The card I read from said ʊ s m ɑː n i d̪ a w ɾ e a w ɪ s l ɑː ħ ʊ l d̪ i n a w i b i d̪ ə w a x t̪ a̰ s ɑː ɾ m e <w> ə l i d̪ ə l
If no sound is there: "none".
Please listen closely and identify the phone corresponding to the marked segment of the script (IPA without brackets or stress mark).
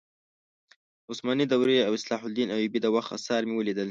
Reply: w